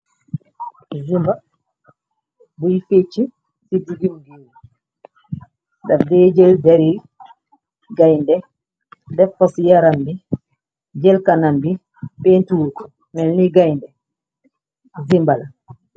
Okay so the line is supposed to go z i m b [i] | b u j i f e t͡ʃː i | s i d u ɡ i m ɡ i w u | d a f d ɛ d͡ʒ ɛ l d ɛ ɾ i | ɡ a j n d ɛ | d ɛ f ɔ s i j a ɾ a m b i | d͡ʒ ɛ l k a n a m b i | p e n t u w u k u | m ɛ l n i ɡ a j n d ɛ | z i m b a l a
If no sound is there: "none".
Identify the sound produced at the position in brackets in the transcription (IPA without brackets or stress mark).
a